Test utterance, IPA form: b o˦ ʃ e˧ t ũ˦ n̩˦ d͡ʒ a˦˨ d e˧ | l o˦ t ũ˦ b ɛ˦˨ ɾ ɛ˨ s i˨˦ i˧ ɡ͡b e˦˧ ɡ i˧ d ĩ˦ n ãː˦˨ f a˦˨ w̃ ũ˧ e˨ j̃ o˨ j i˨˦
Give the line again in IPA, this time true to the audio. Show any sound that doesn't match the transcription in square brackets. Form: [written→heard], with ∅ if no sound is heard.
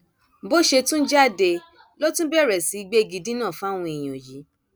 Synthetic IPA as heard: b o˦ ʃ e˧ t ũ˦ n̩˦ d͡ʒ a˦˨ d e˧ | l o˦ t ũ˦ b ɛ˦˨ ɾ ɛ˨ s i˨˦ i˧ ɡ͡b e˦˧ ɡ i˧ d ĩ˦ n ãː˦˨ f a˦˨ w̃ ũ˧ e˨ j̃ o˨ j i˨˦